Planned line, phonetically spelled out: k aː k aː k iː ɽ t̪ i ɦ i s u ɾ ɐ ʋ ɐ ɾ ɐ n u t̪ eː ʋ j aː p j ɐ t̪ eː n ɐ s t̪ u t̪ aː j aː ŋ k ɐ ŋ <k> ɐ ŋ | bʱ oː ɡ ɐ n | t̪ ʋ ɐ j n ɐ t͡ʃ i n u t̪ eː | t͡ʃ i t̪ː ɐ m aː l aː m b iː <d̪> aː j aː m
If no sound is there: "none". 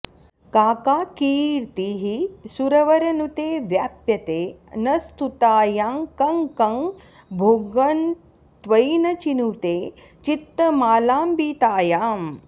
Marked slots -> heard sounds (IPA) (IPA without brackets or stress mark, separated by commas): k, t̪